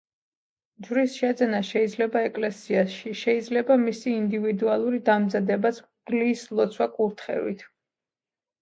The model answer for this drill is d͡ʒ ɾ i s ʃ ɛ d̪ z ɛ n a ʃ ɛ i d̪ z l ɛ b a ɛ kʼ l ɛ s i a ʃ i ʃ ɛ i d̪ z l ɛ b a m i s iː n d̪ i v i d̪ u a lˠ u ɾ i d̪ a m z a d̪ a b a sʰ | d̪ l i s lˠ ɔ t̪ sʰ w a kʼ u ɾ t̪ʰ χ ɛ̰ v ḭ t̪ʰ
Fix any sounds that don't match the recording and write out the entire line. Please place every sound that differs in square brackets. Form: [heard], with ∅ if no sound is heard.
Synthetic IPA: d͡ʒ ɾ i s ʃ ɛ d̪ z ɛ n a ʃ ɛ i d̪ z l ɛ b a ɛ kʼ l ɛ s i a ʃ i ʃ ɛ i d̪ z l ɛ b a m i s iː n d̪ i v i d̪ u a lˠ u ɾ i d̪ a m z a d̪ [ɛ] b a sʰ | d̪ l i s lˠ ɔ t̪ sʰ w a kʼ u ɾ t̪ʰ χ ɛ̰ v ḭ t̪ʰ